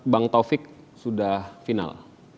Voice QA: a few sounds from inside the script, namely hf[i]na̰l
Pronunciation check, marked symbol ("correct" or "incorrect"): correct